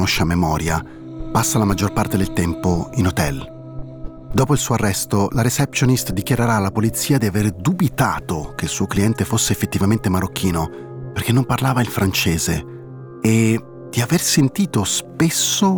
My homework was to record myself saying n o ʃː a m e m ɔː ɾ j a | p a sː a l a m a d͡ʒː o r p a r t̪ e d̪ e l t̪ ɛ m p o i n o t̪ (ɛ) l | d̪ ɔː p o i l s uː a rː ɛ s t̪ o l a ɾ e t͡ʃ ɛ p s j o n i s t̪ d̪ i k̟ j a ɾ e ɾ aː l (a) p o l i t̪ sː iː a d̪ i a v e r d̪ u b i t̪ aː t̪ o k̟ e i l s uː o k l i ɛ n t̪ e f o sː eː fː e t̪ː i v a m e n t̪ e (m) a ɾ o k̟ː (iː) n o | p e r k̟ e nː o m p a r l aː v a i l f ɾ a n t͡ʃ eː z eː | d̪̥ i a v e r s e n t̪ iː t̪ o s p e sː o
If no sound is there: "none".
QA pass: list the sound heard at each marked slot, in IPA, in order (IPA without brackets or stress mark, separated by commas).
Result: ɛ, a, m, iː